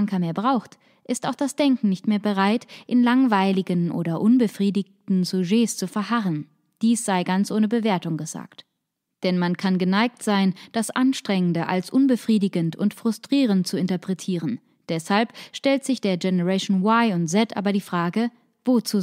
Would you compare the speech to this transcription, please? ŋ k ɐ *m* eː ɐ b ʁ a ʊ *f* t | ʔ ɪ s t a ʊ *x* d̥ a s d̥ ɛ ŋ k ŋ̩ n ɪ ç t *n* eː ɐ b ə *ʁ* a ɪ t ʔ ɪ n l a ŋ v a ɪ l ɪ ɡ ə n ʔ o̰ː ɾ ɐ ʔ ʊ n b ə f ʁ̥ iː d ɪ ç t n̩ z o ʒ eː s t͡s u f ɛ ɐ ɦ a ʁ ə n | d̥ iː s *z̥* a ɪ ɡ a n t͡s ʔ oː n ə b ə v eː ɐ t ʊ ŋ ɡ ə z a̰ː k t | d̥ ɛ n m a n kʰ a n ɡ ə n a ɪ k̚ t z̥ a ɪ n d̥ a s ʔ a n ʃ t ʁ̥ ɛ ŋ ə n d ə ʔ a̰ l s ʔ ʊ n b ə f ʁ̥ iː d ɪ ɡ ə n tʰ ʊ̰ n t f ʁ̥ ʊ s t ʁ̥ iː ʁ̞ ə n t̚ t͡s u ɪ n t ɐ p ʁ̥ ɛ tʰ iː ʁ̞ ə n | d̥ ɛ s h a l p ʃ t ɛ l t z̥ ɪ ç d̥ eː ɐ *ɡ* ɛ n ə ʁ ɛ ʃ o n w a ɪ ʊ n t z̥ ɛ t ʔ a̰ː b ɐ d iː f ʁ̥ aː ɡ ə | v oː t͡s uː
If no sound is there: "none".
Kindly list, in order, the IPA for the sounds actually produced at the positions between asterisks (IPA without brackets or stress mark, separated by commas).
m, x, x, m, ʁ, z̥, ɡ